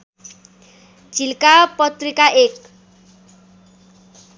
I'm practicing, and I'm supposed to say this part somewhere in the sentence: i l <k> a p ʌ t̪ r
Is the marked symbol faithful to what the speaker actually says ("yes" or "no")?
yes